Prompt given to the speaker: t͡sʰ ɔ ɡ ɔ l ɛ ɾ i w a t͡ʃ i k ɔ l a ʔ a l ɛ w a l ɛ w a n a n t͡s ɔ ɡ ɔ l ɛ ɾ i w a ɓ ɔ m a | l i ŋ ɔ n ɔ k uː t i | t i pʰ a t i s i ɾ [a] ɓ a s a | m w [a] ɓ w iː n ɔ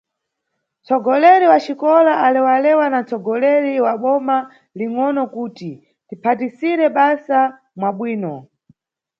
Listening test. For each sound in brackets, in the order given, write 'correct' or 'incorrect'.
incorrect: ɛ, correct

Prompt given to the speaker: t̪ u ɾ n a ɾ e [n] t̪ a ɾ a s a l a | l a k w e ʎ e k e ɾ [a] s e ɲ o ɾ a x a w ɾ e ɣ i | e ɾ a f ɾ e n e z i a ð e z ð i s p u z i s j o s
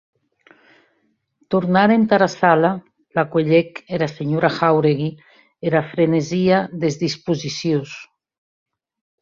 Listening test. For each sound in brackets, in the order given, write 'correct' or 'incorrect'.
correct, correct

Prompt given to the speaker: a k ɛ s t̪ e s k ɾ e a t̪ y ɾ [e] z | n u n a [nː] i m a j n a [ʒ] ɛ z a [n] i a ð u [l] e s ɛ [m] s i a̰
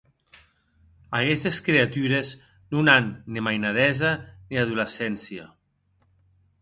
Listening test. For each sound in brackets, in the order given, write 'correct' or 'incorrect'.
correct, correct, incorrect: ð, correct, correct, incorrect: n

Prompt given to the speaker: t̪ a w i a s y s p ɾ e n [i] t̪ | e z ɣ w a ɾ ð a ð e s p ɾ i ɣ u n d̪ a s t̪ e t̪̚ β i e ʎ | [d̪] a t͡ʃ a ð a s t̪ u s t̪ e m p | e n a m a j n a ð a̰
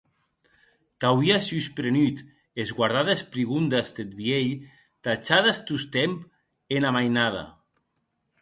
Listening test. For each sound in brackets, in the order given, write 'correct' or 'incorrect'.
incorrect: y, incorrect: t̪

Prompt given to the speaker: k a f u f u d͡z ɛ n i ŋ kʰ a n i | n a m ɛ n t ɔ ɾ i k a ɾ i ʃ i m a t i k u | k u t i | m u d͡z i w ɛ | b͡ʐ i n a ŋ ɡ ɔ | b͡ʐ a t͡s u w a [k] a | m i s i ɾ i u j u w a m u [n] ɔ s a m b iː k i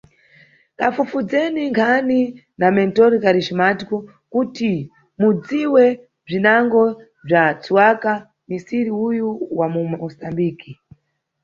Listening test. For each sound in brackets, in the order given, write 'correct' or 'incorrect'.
correct, incorrect: m

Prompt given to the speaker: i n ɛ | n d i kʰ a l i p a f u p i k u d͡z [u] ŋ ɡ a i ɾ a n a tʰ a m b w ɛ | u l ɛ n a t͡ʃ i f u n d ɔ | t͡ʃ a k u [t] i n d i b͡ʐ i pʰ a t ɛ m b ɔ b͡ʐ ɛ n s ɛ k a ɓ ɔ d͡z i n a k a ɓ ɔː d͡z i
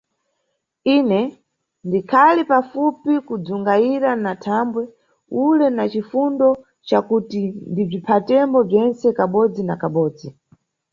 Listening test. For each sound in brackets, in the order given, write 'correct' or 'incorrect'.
correct, correct

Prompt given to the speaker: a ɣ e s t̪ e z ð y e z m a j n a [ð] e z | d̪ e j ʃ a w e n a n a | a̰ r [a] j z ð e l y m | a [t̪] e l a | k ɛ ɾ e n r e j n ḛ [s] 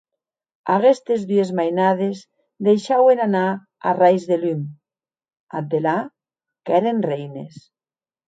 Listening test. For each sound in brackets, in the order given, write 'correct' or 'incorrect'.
correct, correct, incorrect: d̪, correct

